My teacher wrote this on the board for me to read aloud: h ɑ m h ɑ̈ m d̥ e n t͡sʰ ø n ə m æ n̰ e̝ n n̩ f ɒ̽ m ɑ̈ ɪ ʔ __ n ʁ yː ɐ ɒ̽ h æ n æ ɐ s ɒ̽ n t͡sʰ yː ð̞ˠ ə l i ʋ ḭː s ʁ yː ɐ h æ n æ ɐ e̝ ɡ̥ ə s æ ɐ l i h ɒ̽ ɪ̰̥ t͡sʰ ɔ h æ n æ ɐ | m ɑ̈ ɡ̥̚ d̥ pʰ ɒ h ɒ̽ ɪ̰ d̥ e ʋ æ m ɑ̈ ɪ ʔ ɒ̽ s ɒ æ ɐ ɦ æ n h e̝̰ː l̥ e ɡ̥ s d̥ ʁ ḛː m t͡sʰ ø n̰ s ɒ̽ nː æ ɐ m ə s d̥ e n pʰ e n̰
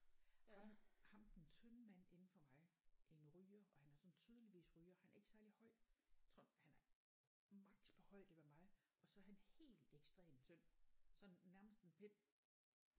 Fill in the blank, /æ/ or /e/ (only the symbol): e